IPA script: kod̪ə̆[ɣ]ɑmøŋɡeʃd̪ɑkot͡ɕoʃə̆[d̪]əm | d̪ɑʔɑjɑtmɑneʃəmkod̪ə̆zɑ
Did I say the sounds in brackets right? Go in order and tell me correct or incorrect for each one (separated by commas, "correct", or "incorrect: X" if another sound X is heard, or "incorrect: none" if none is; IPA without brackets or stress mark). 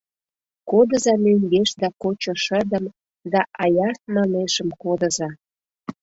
incorrect: z, correct